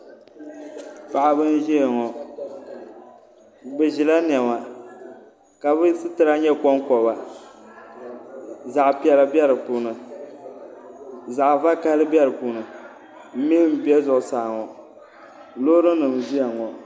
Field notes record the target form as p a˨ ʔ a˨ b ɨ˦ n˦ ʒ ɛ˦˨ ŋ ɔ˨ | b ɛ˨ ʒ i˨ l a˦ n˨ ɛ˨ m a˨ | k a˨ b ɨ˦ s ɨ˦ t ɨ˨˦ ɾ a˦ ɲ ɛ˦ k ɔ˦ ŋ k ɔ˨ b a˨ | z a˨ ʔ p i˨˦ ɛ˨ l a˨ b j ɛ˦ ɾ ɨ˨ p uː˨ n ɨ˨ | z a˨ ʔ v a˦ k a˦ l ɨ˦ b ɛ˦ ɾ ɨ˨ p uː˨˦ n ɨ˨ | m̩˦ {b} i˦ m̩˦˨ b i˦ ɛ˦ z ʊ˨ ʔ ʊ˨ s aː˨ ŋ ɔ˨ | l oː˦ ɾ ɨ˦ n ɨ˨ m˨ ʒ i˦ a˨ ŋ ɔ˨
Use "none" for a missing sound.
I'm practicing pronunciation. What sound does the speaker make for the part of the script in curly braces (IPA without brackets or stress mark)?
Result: m